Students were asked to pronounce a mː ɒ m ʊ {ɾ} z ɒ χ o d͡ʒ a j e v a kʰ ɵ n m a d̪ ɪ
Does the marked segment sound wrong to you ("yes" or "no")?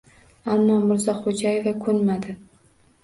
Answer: no